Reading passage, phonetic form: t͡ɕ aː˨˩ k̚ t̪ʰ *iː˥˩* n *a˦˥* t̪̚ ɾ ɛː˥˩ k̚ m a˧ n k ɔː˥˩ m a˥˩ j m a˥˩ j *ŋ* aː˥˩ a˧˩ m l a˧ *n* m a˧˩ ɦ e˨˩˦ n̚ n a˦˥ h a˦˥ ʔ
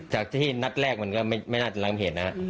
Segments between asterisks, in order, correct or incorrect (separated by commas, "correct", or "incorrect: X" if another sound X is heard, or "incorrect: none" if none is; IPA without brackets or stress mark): correct, correct, incorrect: n, incorrect: ŋ